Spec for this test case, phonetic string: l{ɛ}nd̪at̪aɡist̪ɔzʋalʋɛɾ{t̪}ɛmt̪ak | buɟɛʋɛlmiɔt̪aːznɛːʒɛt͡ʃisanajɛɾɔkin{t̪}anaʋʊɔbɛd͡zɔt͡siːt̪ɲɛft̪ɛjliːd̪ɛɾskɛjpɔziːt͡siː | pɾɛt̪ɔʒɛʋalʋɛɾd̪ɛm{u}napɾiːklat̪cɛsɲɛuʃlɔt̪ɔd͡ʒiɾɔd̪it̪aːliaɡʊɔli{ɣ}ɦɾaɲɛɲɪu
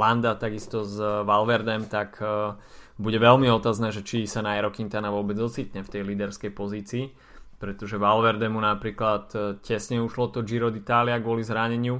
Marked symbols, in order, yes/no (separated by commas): no, no, yes, yes, no